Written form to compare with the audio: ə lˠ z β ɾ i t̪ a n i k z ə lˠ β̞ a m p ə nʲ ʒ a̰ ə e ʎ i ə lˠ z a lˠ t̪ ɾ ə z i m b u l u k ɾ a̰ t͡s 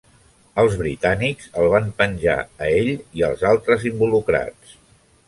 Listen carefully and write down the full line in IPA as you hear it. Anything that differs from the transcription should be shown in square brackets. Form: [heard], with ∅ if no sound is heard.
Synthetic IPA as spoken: ə lˠ z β ɾ i t̪ a n i k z ə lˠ β̞ a m p ə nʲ ʒ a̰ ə e ʎ i ə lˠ z a lˠ t̪ ɾ ə z i m b u l u k ɾ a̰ t͡s